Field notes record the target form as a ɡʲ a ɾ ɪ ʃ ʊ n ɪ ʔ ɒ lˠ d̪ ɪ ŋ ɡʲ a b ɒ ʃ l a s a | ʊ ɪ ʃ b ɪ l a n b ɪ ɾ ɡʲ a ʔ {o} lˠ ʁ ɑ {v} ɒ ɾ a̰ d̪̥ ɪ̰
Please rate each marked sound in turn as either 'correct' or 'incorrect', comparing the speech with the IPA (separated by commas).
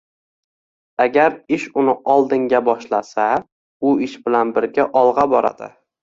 incorrect, incorrect